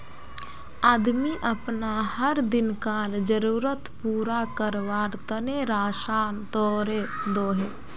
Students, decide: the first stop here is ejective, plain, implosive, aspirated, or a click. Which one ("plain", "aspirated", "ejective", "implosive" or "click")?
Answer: plain